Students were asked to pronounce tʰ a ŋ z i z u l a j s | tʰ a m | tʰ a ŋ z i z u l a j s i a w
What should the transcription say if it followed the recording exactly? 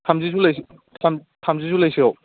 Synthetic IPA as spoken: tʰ a m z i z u l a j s | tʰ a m | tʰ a m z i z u l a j s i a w